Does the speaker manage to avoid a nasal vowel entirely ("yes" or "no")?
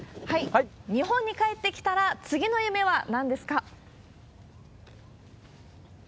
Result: no